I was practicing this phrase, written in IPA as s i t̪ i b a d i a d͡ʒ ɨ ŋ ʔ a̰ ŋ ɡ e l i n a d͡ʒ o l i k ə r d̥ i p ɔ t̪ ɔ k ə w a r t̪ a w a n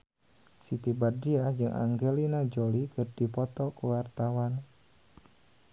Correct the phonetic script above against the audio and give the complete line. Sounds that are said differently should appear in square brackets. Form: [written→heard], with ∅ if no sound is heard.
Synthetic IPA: s i t̪ i b a d i a d͡ʒ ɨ ŋ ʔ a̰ ŋ ɡ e l i n a d͡ʒ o l i k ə r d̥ i p ɔ t̪ ɔ k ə w a r t̪ a w a n